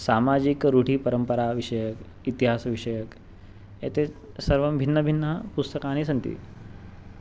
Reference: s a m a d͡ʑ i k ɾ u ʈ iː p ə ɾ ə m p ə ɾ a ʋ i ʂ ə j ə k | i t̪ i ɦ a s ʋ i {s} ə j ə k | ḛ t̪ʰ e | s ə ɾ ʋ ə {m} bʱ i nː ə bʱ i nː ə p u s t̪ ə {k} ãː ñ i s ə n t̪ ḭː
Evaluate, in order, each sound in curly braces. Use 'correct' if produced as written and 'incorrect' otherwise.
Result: incorrect: ʂ, correct, correct

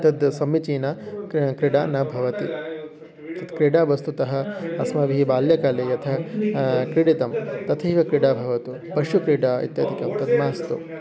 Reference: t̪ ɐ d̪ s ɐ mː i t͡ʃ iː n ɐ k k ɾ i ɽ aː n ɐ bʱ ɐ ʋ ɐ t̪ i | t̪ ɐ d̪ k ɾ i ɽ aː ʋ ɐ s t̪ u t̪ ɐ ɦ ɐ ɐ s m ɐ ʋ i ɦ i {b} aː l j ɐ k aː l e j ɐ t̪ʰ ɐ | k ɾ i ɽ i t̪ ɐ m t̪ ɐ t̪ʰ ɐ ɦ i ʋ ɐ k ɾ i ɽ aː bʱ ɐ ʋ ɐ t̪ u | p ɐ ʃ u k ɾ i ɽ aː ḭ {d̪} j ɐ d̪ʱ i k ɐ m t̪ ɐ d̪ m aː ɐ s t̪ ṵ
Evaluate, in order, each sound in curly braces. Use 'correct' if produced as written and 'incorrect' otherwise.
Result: correct, incorrect: t̪

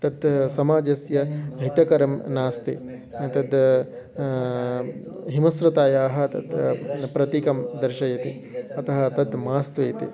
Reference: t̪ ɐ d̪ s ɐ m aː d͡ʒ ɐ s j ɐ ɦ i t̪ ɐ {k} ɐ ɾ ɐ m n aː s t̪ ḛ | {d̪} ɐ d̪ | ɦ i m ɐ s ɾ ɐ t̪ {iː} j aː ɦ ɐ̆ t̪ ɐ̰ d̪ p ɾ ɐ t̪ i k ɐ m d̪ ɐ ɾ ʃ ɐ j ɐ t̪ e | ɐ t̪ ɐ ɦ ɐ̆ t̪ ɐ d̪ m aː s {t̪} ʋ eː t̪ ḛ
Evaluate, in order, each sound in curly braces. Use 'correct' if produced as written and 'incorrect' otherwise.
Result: correct, incorrect: t̪, incorrect: aː, correct

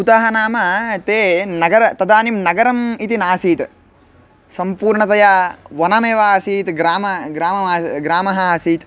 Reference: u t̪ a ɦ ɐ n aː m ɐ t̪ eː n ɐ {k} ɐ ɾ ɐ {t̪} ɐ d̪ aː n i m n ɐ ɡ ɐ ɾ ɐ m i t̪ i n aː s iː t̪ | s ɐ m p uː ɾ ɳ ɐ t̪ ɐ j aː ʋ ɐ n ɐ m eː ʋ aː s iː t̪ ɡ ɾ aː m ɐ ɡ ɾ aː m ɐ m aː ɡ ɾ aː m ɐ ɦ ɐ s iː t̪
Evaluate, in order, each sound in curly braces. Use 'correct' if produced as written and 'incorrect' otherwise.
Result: incorrect: ɡ, correct

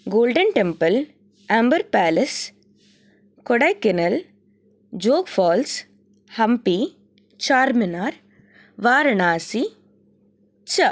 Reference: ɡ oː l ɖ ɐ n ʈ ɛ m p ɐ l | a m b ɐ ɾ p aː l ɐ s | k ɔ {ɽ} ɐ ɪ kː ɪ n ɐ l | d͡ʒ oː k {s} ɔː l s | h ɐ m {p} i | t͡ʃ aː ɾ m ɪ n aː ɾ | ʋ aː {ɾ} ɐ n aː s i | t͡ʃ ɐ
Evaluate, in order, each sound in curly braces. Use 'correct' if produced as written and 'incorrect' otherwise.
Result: correct, incorrect: f, correct, correct

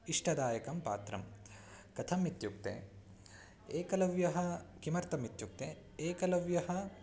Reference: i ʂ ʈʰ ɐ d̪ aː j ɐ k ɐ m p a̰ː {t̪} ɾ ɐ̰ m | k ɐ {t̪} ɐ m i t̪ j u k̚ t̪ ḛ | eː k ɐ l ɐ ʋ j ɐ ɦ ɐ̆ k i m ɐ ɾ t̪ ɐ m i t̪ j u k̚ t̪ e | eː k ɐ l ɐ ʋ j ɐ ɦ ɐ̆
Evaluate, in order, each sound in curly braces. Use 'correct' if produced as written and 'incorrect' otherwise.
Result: correct, incorrect: t̪ʰ

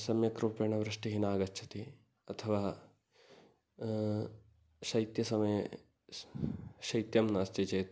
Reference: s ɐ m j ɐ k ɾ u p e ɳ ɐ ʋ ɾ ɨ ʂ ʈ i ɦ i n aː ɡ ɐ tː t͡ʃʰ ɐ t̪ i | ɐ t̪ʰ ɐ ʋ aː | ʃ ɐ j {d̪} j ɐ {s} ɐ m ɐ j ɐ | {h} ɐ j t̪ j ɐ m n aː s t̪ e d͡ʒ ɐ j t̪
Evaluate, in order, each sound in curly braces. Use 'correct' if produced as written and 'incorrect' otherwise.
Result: incorrect: t̪, correct, incorrect: ʃ

